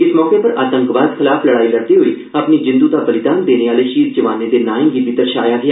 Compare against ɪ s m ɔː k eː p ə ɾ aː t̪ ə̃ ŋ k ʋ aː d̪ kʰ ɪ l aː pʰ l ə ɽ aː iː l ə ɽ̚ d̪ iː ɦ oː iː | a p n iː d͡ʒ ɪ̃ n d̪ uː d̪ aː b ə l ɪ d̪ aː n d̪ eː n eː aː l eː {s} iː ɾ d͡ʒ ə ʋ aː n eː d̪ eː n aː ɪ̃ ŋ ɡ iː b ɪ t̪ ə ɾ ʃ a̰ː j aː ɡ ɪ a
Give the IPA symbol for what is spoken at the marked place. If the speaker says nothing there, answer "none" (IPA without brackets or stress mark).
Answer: ʃ